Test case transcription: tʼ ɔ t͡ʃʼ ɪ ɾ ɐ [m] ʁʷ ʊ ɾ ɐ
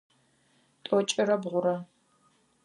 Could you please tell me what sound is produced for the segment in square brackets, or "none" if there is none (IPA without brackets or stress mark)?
b